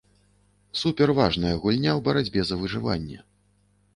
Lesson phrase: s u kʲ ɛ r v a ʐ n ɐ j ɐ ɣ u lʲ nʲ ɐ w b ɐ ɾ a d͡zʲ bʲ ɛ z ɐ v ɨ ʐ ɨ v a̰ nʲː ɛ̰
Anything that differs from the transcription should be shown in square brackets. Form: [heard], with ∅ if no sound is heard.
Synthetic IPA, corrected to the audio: s u [pʲ] ɛ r v a ʐ n ɐ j ɐ ɣ u lʲ nʲ [a] w b ɐ ɾ a d͡zʲ bʲ ɛ z ɐ v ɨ ʐ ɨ v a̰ nʲː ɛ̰